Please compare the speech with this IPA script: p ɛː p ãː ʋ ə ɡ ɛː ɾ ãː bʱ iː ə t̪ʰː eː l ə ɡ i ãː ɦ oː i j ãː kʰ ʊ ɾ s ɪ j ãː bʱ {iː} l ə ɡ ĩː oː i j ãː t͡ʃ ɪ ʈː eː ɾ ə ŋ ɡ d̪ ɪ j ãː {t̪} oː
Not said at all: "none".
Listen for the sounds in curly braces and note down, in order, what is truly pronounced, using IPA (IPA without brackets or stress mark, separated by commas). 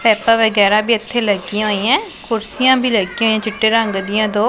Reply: iː, d̪